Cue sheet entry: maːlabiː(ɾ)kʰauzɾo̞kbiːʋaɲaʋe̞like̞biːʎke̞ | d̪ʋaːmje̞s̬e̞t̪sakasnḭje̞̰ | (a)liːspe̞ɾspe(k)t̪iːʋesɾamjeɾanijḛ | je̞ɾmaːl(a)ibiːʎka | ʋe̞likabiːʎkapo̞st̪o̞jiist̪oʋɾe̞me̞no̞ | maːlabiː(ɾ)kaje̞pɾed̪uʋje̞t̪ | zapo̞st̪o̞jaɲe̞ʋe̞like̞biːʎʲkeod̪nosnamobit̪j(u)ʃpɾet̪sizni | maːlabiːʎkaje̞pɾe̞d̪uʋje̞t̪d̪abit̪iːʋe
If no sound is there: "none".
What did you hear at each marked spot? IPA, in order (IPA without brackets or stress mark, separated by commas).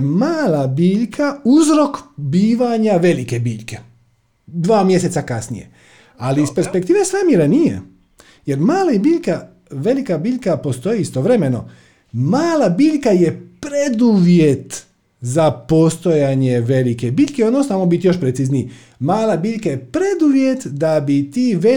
ʎ, a, k, a, ʎ, o